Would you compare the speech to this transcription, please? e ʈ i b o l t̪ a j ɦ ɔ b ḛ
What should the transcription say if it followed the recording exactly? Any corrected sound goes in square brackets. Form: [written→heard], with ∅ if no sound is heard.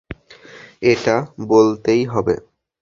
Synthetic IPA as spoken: e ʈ [i→a] b o l t̪ [a→e] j ɦ ɔ b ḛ

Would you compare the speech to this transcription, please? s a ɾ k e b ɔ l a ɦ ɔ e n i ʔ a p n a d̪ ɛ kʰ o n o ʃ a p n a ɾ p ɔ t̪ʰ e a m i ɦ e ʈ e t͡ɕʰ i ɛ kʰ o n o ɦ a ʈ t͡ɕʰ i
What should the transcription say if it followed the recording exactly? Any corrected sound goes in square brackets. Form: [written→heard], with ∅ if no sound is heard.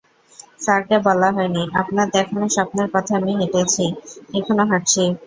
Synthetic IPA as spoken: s a ɾ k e b ɔ l a ɦ ɔ e n i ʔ a p n a d̪ ɛ kʰ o n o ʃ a p n [a→e] ɾ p ɔ t̪ʰ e a m i ɦ e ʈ e t͡ɕʰ i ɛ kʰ o n o ɦ a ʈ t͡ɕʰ i

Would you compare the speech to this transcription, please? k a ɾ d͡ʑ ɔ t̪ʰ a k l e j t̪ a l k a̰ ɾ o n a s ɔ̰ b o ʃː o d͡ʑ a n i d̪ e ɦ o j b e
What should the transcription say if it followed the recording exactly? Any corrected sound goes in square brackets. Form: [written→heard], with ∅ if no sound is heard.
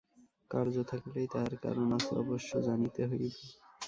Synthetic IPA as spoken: k a ɾ d͡ʑ [ɔ→o] t̪ʰ a k l e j t̪ a [l→ɾ] k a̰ ɾ o n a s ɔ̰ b o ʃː o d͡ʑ a n i [d̪→t̪] e ɦ o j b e

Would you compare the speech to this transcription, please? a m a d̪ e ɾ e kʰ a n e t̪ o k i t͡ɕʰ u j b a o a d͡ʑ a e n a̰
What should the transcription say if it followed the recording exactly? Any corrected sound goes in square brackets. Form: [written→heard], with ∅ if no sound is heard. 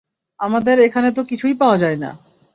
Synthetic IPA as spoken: a m a d̪ e ɾ e kʰ a n e t̪ o k i t͡ɕʰ u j [b→p] a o a d͡ʑ a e n a̰

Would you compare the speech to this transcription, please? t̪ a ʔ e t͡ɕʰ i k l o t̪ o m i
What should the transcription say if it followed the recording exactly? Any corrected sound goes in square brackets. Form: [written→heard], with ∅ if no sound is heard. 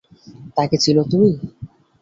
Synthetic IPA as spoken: t̪ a [ʔ→k] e t͡ɕʰ i [k→∅] l o t̪ [o→u] m i

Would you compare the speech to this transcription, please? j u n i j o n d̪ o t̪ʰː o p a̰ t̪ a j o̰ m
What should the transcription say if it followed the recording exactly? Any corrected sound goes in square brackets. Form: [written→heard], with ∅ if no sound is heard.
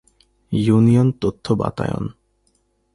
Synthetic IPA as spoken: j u n i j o n [d̪→t̪] o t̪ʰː o [p→b] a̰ t̪ a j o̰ [m→n]

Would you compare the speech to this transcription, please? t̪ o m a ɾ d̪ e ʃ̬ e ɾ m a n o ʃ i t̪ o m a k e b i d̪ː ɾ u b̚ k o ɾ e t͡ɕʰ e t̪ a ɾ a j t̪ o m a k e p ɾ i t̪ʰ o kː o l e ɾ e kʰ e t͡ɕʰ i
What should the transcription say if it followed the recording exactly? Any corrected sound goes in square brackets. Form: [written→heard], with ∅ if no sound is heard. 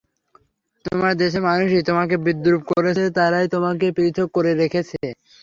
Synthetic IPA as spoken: t̪ o m a ɾ d̪ e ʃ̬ e ɾ m a n [o→u] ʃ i t̪ o m a k e b i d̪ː ɾ u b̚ k o ɾ e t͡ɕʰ e t̪ a ɾ a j t̪ o m a k e p ɾ i t̪ʰ o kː o [l→ɾ] e ɾ e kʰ e t͡ɕʰ [i→e]

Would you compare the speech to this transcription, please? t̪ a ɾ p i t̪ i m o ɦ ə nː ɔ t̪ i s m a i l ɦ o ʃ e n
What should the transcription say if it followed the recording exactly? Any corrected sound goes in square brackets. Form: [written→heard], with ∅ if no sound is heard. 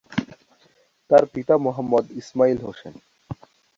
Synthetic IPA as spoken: t̪ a ɾ p i t̪ [i→a] m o ɦ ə [nː→mː] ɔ [t̪→d̪] i s m a i l ɦ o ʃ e n

